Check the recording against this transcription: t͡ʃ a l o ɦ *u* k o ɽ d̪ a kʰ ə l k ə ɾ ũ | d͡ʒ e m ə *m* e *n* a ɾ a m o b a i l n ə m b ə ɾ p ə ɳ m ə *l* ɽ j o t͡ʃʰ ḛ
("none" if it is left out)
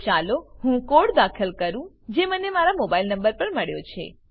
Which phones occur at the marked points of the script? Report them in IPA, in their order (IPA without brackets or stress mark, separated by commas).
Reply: ũ, n, m, none